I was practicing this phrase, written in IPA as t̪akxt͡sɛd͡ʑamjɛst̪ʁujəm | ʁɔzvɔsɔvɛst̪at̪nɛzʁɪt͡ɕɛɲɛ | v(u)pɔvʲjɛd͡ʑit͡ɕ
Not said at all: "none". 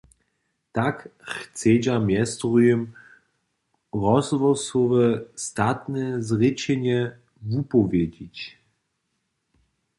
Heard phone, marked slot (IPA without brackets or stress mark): u